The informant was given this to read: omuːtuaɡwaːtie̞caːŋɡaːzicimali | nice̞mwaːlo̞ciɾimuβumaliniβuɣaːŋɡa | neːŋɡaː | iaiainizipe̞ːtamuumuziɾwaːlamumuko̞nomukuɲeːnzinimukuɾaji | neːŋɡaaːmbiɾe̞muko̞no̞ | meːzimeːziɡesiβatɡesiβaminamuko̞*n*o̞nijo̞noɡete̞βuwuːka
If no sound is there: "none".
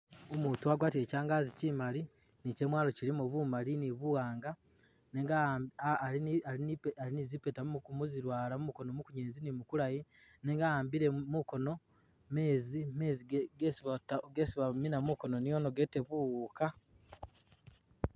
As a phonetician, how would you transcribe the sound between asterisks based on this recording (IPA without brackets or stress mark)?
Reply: n